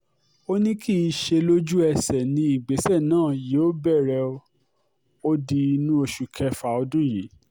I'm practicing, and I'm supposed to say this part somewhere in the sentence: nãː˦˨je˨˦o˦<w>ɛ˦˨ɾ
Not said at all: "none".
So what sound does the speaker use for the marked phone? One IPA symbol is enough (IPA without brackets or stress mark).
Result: b